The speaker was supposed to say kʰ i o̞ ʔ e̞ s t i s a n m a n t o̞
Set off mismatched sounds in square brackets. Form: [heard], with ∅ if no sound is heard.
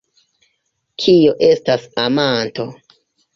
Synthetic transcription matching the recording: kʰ i o̞ ʔ e̞ s t [a] s a [∅] m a n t o̞